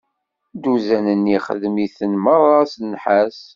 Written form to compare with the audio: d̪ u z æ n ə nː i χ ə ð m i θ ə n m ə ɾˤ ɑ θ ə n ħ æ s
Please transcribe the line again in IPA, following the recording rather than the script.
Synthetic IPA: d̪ u z æ n ə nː i χ ə ð m i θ ə n m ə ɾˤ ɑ s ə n ħ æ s

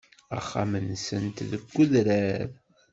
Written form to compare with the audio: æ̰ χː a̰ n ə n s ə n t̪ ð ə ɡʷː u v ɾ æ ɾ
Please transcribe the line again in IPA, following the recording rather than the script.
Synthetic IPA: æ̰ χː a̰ m ə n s ə n t̪ ð ə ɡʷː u ð ɾ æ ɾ

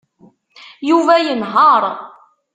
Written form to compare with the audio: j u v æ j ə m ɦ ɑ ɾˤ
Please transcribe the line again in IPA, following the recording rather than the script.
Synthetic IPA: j u v æ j ə n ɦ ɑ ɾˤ

